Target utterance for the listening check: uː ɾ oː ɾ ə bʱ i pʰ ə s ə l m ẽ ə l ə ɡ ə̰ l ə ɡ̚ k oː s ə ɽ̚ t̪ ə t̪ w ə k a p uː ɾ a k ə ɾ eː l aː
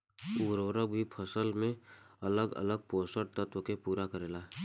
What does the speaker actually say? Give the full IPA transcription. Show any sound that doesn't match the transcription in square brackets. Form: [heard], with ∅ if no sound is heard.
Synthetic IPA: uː ɾ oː ɾ ə bʱ i pʰ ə s ə l m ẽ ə l ə ɡ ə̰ l ə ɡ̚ [p] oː s ə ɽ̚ t̪ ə t̪ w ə k [e] p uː ɾ a k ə ɾ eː l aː

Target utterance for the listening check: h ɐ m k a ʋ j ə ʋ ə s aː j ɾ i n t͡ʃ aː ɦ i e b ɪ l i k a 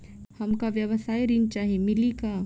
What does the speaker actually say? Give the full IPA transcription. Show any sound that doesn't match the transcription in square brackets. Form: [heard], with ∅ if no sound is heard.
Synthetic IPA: h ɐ m k a ʋ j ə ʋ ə s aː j ɾ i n t͡ʃ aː ɦ i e [m] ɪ l i k a

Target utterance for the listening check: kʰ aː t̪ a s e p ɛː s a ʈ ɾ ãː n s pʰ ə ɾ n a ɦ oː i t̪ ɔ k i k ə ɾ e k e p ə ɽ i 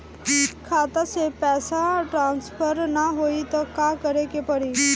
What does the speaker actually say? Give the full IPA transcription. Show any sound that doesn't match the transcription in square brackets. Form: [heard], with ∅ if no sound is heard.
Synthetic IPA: kʰ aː t̪ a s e p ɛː s a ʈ ɾ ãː n s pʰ ə ɾ n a ɦ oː i t̪ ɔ k [a] k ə ɾ e k e p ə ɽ i

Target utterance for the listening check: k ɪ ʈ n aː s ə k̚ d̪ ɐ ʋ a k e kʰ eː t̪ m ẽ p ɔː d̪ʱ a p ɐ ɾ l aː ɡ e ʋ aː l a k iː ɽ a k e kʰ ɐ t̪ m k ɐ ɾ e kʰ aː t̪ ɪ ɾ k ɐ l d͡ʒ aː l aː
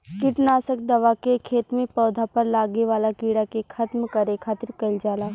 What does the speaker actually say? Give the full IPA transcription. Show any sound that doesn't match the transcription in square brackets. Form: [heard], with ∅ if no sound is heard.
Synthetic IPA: k ɪ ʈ n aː s ə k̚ d̪ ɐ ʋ a k e kʰ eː t̪ m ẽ p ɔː d̪ʱ a p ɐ ɾ l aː ɡ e ʋ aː l a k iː ɽ a k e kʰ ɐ t̪ m k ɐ ɾ e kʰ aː t̪ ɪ ɾ k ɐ l d͡ʒ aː l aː

